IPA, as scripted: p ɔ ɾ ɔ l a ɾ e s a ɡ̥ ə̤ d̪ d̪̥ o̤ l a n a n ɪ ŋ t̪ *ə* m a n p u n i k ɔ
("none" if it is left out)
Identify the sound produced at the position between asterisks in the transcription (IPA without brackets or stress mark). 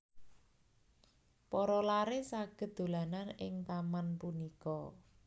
a